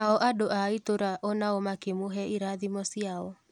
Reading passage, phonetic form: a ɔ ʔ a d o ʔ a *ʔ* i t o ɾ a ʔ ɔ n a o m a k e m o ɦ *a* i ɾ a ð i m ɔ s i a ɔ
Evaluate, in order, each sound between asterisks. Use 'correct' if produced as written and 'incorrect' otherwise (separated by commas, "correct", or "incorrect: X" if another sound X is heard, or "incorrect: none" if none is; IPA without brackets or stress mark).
incorrect: none, incorrect: ɛ